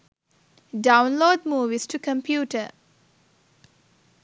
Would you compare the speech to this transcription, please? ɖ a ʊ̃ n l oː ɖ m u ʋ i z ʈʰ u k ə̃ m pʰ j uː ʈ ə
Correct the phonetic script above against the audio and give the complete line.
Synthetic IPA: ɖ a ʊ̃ n l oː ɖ m uː ʋ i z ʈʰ u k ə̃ m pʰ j uː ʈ ə